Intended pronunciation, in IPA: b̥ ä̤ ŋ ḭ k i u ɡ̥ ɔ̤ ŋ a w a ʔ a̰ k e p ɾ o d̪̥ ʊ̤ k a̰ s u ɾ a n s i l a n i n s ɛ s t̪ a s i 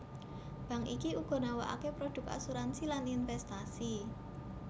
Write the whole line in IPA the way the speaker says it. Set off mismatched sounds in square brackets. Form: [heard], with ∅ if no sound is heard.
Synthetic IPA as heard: b̥ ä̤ ŋ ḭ k i u ɡ̥ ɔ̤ [n] a w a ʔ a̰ k e p ɾ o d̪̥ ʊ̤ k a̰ s u ɾ a n s i l a n i n [f] ɛ s t̪ a s i